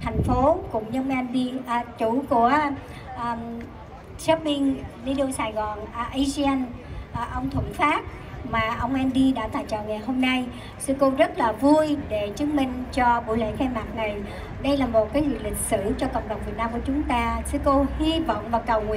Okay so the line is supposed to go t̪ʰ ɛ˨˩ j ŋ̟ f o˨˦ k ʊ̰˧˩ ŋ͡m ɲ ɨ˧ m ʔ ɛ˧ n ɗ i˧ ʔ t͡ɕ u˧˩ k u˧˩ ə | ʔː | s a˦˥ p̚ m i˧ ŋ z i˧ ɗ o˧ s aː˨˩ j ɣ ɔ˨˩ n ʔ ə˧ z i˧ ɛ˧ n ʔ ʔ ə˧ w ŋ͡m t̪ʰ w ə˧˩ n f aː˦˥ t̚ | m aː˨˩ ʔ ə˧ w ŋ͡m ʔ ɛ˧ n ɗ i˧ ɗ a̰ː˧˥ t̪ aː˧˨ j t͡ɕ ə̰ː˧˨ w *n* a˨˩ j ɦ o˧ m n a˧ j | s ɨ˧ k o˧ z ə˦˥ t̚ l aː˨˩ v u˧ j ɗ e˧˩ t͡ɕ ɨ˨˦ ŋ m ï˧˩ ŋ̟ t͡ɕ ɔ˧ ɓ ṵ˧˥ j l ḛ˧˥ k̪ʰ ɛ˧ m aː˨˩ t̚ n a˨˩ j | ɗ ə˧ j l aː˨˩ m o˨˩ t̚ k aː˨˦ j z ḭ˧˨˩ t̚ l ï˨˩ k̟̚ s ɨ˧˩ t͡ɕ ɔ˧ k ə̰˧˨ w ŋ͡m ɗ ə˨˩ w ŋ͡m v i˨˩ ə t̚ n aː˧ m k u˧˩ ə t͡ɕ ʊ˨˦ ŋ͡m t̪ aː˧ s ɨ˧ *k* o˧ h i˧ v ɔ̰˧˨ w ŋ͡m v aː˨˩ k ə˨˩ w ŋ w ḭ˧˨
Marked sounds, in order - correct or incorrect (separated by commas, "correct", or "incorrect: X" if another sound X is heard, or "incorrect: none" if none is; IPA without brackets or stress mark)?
incorrect: ŋ, correct